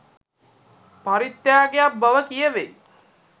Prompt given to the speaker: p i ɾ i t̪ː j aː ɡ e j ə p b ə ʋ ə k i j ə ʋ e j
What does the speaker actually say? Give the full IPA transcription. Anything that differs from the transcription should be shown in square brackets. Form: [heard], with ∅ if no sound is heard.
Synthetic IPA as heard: p [a] ɾ i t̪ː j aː ɡ e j [a] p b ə ʋ ə k i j ə ʋ e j